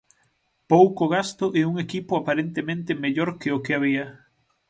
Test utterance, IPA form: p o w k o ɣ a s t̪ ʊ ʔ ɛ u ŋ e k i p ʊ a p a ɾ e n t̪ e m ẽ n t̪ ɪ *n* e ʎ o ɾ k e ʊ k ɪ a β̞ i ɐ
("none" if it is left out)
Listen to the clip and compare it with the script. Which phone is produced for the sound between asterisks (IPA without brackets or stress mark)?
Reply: m